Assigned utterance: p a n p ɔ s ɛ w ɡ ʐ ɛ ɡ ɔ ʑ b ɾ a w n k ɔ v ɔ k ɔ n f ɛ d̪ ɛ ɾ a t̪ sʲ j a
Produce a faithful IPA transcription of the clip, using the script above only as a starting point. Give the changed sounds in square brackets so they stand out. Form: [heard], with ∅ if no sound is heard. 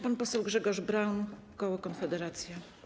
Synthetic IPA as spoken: p a n p ɔ s ɛ w ɡ ʐ ɛ ɡ ɔ [ʐ] b ɾ a w n k ɔ [w] ɔ k ɔ n f ɛ d̪ ɛ ɾ a t̪ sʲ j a